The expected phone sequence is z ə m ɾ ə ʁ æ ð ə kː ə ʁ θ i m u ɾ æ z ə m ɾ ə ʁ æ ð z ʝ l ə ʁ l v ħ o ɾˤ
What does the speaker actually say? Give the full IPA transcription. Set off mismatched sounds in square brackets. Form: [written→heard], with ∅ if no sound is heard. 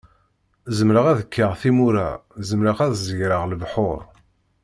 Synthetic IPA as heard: z ə m ɾ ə ʁ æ ð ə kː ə ʁ θ i m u ɾ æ z ə m ɾ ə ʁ æ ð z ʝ [l→ɾ] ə ʁ l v ħ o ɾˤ

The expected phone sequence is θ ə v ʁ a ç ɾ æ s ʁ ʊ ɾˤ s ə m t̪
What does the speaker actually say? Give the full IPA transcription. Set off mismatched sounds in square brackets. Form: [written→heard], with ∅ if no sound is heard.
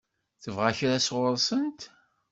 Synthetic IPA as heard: θ ə v ʁ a ç ɾ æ s ʁ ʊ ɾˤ s ə [m→n] t̪

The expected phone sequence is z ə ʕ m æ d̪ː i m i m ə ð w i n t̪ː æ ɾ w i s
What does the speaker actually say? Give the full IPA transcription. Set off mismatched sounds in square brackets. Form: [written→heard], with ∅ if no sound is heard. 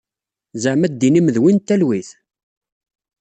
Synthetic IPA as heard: z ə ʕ m æ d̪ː i [m→n] i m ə ð w i n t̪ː æ [ɾ→l] w i [s→θ]

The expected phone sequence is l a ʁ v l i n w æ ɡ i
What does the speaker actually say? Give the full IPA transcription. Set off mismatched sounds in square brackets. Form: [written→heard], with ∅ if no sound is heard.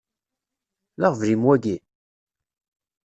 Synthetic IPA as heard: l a ʁ v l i [n→m] w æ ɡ i

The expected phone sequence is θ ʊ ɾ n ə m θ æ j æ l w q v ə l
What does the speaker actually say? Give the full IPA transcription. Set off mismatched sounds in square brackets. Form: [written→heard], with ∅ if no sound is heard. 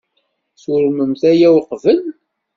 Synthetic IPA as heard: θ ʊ ɾ [n→m] ə m θ æ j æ [l→∅] w q v ə l

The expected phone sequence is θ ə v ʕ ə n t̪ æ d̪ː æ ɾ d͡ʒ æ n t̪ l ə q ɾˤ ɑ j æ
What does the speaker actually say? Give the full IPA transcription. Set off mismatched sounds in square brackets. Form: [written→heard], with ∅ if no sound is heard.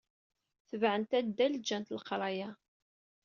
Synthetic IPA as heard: θ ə v ʕ ə n t̪ æ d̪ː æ [ɾ→l] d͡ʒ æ n t̪ l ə q ɾˤ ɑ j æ

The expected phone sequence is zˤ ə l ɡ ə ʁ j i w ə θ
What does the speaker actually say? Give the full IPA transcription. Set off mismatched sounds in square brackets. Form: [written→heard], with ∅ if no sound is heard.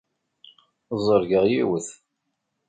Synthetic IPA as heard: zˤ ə [l→ɾ] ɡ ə ʁ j i w ə θ

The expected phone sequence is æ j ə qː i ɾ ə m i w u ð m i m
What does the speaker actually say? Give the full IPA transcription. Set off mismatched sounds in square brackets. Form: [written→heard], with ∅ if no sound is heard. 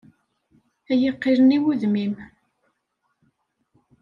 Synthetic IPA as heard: æ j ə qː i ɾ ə [m→n] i w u ð m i m

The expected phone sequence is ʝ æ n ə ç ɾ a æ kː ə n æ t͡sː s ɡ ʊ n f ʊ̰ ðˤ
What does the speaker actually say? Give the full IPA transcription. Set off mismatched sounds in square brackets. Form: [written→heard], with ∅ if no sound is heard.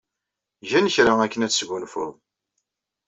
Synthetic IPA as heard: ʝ æ n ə ç ɾ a æ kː ə n æ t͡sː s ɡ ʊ n f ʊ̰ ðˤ

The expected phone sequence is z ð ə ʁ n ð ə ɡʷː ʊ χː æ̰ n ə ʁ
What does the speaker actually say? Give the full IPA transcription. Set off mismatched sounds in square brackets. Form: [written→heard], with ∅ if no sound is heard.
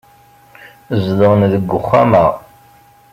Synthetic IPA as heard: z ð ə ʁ n ð ə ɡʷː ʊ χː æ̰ [n→m] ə ʁ

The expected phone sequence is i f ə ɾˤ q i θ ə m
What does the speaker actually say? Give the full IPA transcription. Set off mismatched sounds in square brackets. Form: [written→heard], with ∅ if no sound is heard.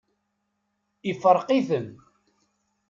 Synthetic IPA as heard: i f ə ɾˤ q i θ ə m

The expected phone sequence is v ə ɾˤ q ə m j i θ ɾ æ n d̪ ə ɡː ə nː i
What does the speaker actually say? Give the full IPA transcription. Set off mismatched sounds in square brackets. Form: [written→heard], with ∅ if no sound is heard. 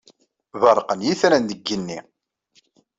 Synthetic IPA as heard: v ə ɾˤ q ə [m→n] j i θ ɾ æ n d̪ ə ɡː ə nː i

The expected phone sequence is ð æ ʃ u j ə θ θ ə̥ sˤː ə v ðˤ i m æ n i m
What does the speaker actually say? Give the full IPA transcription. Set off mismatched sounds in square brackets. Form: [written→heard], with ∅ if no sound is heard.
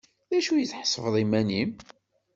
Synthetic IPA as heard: ð æ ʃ u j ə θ [θ→ħ] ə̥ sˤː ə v ðˤ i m æ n i m

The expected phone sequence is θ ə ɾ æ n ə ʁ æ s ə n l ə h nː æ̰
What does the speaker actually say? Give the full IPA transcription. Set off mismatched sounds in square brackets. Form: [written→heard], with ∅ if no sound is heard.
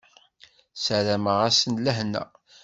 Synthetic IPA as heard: [θ→s] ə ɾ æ [n→m] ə ʁ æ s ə n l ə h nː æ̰

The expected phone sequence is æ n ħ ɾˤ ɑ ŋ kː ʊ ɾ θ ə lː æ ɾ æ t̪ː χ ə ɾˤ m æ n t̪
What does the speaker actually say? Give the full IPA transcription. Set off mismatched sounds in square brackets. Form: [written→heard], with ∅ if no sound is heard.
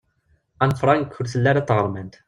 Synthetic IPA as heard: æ n [ħ→f] ɾˤ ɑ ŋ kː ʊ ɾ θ ə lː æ ɾ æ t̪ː [χ→ʁ] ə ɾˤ m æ n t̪

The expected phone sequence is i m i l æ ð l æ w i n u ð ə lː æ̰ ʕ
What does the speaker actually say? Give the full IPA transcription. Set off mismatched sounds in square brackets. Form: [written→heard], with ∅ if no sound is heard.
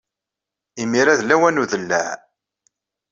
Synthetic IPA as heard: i m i [l→ɾ] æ ð l æ w [i→æ] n u ð ə lː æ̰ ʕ

